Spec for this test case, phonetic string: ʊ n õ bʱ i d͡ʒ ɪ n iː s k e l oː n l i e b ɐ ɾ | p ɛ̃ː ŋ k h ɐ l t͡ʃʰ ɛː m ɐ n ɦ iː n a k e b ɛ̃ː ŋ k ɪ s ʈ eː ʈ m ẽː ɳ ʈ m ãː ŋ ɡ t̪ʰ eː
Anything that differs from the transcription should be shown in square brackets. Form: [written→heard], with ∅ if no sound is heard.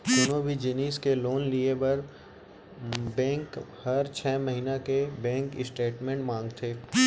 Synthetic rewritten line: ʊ n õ bʱ i d͡ʒ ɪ n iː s k e l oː n l i e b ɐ ɾ | [p→b] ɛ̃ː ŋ k h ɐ [l→ɾ] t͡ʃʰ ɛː m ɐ [n→∅] ɦ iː n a k e b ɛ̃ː ŋ k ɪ s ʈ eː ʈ m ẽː ɳ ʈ m ãː ŋ ɡ t̪ʰ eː